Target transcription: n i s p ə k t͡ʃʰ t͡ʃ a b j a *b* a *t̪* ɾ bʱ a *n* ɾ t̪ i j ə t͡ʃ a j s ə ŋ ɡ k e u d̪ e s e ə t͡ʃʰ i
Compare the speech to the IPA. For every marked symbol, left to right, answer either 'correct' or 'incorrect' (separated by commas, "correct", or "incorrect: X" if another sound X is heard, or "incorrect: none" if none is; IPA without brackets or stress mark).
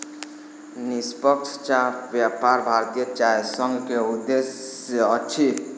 incorrect: p, incorrect: none, incorrect: none